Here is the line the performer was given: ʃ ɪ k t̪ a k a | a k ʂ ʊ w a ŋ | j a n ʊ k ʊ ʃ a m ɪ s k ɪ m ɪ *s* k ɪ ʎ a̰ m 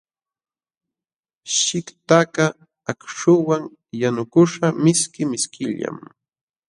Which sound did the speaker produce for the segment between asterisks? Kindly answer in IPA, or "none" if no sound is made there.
s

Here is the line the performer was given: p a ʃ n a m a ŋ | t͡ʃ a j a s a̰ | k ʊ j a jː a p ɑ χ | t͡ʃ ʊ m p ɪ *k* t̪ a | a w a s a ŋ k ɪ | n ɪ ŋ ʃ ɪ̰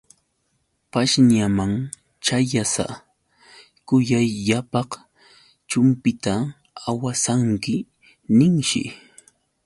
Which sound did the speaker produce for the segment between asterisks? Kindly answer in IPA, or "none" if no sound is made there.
none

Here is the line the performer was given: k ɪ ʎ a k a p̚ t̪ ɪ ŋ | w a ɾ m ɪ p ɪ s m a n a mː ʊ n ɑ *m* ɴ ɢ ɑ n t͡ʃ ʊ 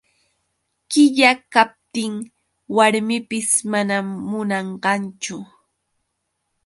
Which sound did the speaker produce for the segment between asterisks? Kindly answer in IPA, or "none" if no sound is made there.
none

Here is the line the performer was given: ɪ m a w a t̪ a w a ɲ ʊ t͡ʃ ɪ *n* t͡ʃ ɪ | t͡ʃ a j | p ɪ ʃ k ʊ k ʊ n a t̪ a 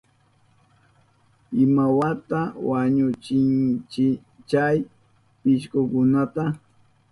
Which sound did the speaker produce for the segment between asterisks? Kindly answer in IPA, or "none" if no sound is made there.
n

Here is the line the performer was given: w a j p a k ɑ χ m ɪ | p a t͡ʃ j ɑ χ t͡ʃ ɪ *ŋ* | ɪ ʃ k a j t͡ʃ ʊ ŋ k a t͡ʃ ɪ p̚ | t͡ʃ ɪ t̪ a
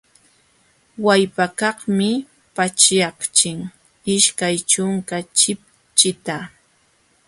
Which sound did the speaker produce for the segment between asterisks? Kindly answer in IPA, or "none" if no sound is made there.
ŋ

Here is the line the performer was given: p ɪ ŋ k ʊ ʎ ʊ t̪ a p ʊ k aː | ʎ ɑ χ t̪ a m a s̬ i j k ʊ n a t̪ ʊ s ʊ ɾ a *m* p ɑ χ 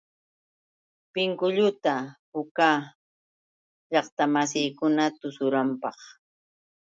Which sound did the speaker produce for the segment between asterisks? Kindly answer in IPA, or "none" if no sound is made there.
m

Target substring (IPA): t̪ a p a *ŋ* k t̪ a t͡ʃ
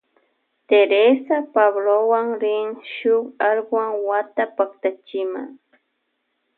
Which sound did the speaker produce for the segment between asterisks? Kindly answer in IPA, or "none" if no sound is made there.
none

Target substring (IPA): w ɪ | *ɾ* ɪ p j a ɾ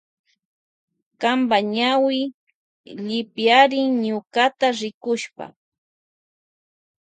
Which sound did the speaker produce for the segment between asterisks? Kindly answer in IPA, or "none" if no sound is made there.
ʎ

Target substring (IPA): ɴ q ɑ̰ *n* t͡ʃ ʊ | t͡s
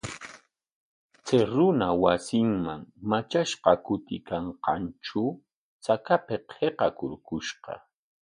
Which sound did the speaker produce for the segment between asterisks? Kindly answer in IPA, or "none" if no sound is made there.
n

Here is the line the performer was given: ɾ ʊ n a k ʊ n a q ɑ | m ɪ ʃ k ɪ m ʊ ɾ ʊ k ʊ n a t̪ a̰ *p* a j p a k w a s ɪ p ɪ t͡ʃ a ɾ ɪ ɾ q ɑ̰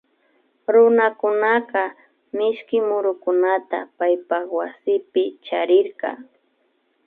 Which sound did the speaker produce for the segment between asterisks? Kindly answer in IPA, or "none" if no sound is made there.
p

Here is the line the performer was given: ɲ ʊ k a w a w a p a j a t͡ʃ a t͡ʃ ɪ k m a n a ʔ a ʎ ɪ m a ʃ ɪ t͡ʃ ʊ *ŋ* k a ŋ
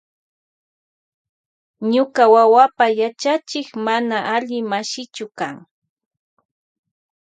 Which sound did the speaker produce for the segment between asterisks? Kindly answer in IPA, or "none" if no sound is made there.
none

